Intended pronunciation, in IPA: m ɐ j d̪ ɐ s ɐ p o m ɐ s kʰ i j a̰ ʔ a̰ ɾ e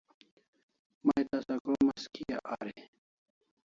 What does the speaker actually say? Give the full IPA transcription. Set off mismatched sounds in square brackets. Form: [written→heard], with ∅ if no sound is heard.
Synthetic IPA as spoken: m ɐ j [d̪→t̪] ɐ s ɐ [p→k] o m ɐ s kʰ i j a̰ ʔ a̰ ɾ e